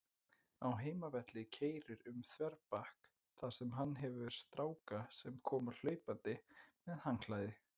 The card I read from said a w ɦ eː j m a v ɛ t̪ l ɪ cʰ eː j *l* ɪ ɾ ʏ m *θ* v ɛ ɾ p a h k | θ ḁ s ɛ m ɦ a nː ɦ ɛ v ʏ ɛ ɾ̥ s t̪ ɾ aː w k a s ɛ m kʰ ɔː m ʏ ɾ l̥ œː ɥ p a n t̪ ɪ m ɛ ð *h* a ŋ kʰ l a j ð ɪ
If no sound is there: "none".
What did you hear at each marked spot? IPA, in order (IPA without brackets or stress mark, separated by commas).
ɾ, θ, h